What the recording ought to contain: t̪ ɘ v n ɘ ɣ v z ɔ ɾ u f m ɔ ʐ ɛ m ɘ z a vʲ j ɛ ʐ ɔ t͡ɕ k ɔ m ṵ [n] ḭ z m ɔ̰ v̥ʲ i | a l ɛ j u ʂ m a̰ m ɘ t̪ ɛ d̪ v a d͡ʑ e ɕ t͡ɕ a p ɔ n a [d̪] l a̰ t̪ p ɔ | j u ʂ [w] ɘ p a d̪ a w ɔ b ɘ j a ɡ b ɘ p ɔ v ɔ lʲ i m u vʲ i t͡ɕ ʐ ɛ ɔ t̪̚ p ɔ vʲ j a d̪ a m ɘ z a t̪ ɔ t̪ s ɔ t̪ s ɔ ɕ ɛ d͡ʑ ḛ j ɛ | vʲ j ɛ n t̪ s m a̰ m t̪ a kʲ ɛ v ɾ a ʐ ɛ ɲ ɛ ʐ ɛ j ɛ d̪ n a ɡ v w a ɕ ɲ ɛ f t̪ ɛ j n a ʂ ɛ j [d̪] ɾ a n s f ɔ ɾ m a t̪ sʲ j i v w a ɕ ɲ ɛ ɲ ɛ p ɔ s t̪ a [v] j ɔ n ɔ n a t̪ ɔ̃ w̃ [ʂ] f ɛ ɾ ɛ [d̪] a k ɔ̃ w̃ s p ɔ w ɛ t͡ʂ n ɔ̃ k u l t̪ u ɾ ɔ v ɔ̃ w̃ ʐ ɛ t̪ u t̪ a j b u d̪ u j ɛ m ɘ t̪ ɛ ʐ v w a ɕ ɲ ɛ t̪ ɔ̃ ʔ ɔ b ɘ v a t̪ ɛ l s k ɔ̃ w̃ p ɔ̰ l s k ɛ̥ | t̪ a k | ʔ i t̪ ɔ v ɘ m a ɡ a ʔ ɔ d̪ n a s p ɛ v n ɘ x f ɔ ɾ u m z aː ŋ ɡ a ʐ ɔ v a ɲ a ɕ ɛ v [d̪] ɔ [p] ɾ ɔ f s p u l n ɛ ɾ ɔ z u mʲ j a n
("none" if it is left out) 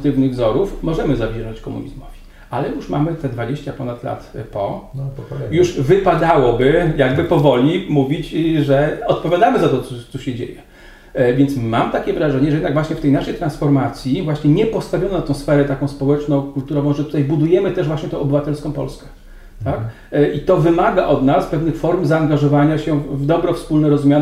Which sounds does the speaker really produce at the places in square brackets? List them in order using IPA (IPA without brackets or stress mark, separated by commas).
ɲ, t̪, v, t̪, v, s, t̪, d̪, b